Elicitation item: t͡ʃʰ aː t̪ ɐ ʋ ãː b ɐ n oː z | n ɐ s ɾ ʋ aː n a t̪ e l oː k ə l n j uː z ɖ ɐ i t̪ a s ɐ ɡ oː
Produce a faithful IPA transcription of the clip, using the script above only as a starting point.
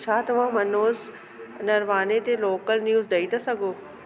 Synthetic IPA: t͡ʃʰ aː t̪ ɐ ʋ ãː m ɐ n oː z | n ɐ ɾ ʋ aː n e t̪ e l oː k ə l n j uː z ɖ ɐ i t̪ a s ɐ ɡ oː